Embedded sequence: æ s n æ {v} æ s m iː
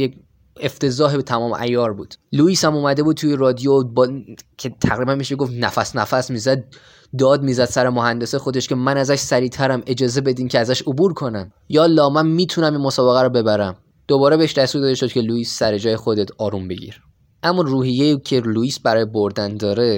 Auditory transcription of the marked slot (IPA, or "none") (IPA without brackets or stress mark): f